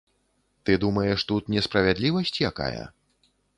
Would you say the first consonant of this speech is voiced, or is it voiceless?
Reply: voiceless